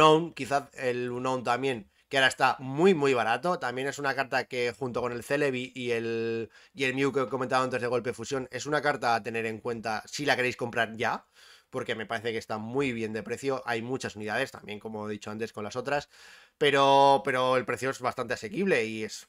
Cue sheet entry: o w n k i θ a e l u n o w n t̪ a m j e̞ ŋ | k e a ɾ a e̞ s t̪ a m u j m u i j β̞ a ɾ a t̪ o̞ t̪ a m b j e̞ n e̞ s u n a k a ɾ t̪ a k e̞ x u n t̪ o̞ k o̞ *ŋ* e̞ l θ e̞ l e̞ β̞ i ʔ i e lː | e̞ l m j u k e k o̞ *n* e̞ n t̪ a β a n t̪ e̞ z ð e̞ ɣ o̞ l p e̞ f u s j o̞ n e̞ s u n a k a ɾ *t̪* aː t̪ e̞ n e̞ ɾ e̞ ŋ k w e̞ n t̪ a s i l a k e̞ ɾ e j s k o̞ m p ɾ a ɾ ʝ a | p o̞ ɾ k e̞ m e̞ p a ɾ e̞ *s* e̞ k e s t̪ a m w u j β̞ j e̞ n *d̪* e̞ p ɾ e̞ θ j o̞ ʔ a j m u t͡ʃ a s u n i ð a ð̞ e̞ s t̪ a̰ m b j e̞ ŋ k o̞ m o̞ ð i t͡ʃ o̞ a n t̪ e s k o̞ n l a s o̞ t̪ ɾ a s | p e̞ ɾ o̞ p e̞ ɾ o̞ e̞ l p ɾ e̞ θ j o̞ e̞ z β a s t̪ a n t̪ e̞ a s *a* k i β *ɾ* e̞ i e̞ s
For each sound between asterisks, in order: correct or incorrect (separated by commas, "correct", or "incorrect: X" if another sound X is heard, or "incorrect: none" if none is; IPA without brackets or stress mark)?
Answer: incorrect: n, incorrect: m, correct, incorrect: θ, correct, incorrect: e, incorrect: l